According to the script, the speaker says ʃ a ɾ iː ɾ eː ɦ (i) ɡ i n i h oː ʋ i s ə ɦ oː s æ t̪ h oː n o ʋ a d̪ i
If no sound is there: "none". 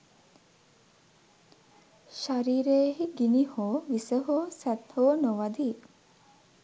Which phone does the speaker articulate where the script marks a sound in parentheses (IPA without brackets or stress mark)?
i